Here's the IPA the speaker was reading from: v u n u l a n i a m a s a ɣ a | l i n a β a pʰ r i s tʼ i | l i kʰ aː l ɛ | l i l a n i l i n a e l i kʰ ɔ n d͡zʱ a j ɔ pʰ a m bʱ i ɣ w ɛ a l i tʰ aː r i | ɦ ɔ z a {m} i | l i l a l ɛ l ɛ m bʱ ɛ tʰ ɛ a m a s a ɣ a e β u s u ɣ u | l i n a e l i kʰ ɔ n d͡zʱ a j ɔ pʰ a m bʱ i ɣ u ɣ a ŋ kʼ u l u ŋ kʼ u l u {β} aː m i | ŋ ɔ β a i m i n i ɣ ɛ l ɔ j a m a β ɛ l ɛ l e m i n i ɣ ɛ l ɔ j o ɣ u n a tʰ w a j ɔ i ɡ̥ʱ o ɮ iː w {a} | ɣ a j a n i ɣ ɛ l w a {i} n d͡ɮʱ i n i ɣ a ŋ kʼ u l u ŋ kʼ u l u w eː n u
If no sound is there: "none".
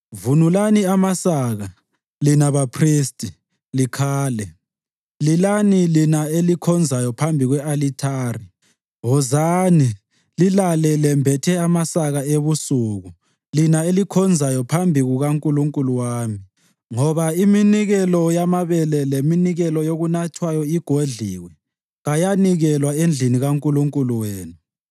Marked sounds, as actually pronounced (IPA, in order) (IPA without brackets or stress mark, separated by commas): n, w, ɛ, e